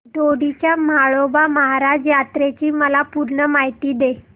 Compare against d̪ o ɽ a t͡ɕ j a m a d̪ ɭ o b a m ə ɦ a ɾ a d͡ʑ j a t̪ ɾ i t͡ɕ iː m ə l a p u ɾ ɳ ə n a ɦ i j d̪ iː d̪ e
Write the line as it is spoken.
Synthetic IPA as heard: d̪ o ɽ i t͡ɕ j a m a ɭ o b a m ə ɦ a ɾ a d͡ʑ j a t̪ ɾ e t͡ɕ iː m ə l a p u ɾ ɳ ə m a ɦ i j t̪ iː d̪ e